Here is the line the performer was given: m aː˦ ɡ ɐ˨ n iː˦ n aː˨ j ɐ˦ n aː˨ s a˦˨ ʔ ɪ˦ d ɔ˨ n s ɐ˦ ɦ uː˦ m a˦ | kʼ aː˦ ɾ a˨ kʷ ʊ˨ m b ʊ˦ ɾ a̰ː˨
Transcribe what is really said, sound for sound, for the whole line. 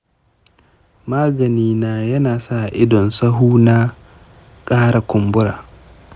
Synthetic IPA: m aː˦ ɡ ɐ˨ n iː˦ n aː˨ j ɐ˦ n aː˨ s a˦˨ ʔ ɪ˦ d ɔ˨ n s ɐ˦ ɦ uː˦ n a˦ | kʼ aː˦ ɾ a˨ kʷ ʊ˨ m b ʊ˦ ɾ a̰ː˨